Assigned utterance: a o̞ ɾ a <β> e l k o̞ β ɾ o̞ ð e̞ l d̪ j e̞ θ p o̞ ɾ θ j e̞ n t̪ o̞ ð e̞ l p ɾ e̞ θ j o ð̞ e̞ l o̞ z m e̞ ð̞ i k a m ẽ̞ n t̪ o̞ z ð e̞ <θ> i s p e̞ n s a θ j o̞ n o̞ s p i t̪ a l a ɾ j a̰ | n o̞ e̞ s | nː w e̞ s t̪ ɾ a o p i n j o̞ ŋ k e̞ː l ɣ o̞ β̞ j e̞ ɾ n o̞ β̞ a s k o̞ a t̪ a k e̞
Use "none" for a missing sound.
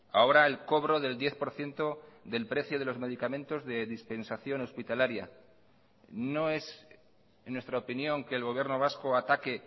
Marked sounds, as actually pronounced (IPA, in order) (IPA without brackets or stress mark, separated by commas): none, ð